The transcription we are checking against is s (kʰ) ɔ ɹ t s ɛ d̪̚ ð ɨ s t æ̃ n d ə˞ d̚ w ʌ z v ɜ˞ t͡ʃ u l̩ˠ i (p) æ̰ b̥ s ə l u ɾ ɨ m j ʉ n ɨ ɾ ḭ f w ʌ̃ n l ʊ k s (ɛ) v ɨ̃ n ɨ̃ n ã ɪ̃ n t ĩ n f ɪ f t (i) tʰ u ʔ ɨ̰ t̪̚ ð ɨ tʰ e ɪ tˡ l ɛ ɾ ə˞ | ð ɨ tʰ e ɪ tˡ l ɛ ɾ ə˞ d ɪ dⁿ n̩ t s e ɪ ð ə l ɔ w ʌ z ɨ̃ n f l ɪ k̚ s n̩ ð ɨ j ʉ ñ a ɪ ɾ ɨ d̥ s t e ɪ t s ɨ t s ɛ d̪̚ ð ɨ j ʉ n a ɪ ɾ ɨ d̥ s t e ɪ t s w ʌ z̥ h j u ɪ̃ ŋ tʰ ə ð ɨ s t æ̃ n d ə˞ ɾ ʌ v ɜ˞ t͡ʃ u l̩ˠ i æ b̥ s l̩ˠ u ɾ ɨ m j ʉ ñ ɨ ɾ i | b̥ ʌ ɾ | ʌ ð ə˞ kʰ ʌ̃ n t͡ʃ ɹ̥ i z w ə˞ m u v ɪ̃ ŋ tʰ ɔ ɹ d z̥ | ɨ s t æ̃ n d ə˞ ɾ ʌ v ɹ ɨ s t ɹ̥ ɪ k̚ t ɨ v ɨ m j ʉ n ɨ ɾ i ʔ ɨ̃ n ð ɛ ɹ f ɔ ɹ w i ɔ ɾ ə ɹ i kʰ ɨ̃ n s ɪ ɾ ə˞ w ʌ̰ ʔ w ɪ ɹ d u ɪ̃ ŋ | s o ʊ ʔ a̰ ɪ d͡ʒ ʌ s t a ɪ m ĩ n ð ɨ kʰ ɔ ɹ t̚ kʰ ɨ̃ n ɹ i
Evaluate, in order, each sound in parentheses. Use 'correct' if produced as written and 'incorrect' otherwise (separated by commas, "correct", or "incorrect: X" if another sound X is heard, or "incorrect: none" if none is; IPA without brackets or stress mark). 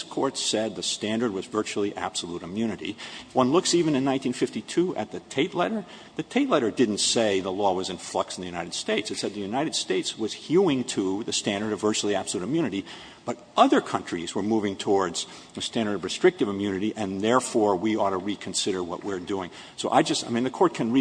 correct, incorrect: ʔ, incorrect: i, correct